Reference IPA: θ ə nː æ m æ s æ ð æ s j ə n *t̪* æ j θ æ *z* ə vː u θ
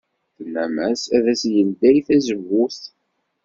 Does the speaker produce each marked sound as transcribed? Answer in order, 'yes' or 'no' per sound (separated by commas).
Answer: no, yes